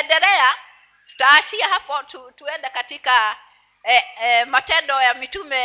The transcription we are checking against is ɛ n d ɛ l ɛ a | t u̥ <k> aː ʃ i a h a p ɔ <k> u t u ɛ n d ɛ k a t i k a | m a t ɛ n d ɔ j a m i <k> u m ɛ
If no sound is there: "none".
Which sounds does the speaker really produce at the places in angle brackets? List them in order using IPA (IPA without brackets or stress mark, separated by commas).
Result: t, t, t